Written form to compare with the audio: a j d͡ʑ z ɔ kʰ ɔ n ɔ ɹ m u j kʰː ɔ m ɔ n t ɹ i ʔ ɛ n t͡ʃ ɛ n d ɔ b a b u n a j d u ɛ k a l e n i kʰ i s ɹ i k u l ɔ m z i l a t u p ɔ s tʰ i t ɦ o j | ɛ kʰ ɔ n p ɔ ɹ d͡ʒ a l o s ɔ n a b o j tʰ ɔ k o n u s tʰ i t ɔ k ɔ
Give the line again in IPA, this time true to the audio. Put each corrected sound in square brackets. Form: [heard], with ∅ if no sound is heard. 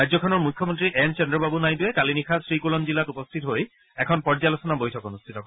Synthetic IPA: a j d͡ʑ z ɔ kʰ ɔ n ɔ ɹ m u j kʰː ɔ m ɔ n t ɹ i ʔ ɛ n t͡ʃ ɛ n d ɔ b a b u n a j d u ɛ k a l [i] n i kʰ [a] s ɹ i k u l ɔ m z i l a t u p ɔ s tʰ i t ɦ o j | ɛ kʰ ɔ n p ɔ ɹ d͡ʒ a l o s ɔ n a b o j tʰ ɔ k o n u s tʰ i t ɔ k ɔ